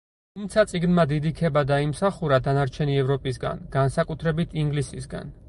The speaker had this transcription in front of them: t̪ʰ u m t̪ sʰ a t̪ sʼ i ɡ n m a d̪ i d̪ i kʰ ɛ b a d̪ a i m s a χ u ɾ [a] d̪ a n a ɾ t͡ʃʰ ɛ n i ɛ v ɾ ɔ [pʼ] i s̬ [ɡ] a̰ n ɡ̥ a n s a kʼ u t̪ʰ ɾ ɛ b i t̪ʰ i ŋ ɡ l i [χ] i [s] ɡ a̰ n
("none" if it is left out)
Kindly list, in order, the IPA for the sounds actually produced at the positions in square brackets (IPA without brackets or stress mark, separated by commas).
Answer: a, pʼ, ɡ, s, s